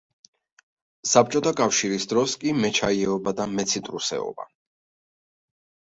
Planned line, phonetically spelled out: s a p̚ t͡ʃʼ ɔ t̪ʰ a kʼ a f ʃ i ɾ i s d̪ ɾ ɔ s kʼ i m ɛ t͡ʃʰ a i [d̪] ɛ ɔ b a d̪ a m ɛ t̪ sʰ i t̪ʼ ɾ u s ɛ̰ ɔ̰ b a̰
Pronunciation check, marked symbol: incorrect: none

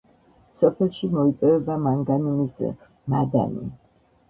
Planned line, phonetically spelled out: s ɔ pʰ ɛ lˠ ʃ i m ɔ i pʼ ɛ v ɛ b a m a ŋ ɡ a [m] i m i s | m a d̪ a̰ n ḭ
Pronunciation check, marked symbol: incorrect: n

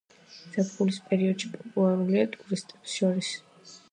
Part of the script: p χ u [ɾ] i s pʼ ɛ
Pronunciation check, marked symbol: incorrect: l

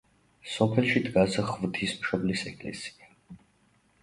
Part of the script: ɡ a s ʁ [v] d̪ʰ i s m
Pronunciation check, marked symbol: correct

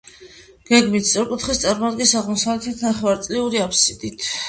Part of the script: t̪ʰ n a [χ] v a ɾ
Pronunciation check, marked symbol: correct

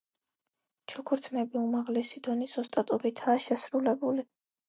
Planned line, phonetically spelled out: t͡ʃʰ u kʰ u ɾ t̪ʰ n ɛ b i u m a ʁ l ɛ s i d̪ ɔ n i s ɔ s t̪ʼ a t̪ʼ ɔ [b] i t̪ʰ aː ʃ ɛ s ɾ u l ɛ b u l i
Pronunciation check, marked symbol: correct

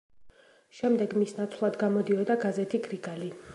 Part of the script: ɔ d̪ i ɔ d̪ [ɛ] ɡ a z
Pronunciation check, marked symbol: incorrect: a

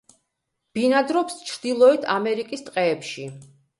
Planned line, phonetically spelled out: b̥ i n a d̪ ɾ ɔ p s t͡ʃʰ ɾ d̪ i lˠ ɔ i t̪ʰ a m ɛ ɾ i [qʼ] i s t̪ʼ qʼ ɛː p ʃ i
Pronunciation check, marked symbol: incorrect: kʼ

